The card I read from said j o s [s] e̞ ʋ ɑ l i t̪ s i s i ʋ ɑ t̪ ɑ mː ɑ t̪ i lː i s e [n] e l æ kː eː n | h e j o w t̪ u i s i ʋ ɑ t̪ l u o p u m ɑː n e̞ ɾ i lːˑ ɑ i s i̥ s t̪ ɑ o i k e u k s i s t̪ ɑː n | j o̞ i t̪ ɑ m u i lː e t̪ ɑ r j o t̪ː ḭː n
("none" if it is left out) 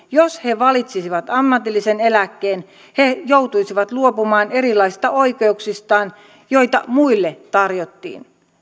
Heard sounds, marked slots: h, n

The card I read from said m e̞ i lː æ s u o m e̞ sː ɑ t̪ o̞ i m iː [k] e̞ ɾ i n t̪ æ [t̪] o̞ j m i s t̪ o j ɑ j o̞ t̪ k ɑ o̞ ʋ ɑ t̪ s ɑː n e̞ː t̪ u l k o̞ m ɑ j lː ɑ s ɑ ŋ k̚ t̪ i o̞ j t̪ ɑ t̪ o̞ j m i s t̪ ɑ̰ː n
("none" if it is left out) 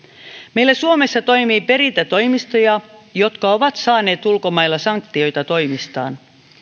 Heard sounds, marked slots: p, t̪

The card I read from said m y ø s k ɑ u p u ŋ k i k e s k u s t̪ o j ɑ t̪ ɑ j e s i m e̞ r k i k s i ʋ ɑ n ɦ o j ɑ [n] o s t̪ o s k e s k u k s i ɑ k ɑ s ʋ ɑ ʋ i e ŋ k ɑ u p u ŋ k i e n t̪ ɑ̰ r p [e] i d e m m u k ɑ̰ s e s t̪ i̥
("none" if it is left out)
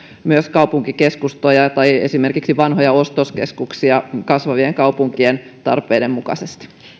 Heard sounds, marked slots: none, e

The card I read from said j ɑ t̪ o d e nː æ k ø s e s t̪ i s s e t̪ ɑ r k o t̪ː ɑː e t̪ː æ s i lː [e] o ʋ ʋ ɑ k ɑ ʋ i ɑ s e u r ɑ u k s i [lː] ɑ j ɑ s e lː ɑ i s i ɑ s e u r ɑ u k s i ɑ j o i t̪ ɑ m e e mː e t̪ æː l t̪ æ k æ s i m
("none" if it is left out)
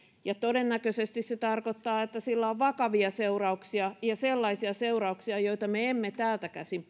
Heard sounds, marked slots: æ, none

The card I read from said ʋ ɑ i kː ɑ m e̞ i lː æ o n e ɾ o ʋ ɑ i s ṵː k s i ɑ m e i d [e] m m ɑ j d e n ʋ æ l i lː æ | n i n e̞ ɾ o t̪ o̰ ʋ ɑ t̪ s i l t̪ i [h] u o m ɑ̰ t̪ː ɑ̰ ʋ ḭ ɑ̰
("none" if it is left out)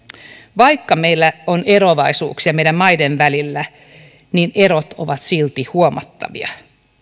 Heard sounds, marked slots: æ, h

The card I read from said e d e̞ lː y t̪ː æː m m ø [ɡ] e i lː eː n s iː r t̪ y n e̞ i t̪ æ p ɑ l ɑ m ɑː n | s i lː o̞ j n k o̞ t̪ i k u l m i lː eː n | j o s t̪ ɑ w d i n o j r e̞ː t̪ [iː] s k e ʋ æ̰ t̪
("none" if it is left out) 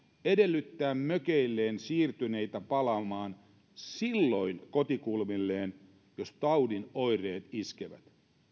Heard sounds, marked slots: k, i

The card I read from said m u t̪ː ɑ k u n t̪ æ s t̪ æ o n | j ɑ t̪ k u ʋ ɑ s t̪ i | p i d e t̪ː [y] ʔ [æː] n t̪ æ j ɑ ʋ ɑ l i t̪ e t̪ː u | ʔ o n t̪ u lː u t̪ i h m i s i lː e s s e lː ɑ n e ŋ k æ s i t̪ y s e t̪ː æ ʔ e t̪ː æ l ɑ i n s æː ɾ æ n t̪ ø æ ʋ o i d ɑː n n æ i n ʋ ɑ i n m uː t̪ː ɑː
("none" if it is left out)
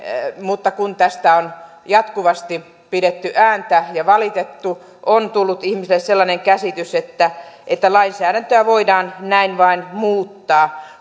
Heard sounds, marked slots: y, æː

